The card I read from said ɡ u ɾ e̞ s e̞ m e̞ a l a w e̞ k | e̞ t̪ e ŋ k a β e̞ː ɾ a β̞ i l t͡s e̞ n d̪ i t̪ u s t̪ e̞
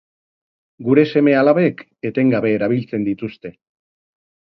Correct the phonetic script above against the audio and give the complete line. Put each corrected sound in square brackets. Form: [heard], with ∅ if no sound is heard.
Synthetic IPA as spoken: ɡ u ɾ e̞ s e̞ m e̞ a l a [β] e̞ k | e̞ t̪ e ŋ [ɡ] a β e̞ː ɾ a β̞ i l t͡s e̞ n d̪ i t̪ u s t̪ e̞